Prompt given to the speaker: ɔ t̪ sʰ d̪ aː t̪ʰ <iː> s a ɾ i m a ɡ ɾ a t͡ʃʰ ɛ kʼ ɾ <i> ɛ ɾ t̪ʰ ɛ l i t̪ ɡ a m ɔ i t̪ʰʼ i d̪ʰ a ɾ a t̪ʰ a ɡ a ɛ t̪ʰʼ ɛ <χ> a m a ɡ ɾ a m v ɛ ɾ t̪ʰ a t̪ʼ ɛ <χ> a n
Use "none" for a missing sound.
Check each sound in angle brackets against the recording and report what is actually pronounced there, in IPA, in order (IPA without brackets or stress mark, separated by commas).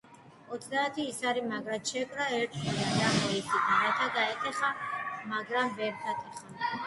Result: iː, a, χ, χ